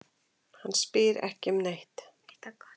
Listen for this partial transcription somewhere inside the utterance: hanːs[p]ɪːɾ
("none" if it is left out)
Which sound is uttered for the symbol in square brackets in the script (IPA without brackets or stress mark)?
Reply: p